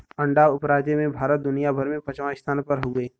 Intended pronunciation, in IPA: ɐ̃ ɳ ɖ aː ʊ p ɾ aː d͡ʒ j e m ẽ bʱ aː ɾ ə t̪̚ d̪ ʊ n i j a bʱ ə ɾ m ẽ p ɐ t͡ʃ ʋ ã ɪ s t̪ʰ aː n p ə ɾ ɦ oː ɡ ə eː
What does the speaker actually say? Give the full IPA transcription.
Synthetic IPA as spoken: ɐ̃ ɳ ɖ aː ʊ p ɾ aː d͡ʒ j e m ẽ bʱ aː ɾ ə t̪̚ d̪ ʊ n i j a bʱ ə ɾ m ẽ p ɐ t͡ʃ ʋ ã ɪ s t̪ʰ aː n p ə ɾ ɦ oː ɡ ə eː